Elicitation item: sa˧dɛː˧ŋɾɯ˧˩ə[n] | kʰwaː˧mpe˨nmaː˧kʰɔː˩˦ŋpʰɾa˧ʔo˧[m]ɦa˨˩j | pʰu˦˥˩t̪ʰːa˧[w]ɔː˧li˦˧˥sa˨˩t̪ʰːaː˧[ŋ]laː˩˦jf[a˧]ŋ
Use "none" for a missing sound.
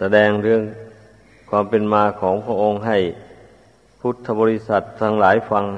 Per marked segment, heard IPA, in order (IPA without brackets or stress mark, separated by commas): ŋ, ŋ, b, ŋ, a˧